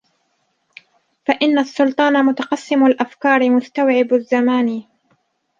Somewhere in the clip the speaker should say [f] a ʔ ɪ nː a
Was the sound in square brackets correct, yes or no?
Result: yes